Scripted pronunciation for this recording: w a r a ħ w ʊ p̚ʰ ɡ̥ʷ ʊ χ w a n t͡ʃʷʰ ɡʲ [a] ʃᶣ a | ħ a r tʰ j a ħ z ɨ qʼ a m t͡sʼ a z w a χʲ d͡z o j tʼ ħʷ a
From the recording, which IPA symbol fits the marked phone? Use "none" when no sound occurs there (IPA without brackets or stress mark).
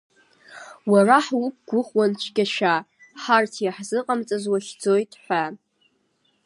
a